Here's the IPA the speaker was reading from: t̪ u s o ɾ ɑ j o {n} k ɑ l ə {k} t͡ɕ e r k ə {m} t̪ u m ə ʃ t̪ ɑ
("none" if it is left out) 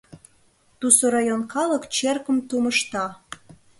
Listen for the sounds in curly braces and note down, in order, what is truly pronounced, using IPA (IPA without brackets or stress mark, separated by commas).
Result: n, k, m